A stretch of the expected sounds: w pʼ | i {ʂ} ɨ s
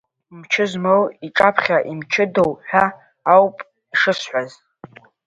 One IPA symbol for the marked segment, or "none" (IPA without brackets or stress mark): ʂ